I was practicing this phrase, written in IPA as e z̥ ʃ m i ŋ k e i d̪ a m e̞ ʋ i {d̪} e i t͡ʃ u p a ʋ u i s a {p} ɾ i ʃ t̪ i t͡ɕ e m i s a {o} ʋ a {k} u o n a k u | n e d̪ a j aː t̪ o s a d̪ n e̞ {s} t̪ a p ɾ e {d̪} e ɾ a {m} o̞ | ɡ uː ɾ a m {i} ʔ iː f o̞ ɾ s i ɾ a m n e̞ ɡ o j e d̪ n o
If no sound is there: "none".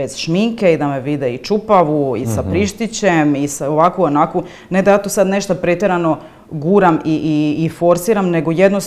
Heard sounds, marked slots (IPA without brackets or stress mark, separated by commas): d̪, p, o, k, ʃ, t̪, n, i